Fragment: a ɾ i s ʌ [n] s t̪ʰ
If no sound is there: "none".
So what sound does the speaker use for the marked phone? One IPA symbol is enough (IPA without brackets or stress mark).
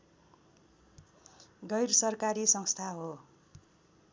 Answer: ŋ